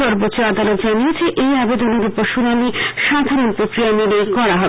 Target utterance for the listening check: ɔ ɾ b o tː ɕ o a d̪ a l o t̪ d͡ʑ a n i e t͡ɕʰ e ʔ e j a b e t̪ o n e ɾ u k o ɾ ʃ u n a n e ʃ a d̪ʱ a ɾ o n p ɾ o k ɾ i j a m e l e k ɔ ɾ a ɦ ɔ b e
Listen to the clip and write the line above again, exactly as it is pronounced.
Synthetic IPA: ɔ ɾ b o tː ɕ o a d̪ a l o t̪ d͡ʑ a n i e t͡ɕʰ e ʔ e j a b e d̪ o n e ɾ u p o ɾ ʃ u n a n i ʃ a d̪ʱ a ɾ o n p ɾ o k ɾ i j a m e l e k ɔ ɾ a ɦ ɔ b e